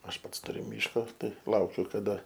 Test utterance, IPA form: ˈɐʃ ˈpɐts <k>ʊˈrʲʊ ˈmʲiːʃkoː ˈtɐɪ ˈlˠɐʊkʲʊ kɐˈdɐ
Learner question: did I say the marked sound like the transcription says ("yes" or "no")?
no